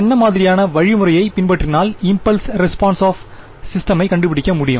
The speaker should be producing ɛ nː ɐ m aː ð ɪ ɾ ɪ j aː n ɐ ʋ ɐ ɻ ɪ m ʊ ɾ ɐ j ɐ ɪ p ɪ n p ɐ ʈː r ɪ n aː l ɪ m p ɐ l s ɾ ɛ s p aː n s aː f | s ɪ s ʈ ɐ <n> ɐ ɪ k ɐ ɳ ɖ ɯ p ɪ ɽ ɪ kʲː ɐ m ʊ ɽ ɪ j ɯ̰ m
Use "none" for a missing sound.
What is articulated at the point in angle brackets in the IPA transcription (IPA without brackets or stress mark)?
m